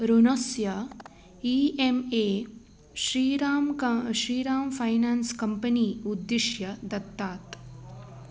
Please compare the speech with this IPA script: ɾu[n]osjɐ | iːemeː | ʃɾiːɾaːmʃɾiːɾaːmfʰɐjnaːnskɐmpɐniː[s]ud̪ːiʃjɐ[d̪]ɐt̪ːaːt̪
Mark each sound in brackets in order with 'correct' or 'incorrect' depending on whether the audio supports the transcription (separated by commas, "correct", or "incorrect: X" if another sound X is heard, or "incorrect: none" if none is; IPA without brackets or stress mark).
correct, incorrect: none, correct